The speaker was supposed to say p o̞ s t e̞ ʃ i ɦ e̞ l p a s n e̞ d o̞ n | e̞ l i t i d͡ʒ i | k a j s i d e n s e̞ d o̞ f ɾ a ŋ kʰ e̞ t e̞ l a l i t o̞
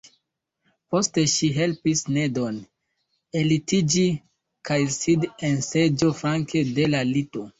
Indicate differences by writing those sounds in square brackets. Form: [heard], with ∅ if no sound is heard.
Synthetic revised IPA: p o̞ s t e̞ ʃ i ɦ e̞ l p [i] s n e̞ d o̞ n | e̞ l i t i d͡ʒ i | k a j s i d e n s e̞ [d͡ʒ] o̞ f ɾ a ŋ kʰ e̞ [d] e̞ l a l i t o̞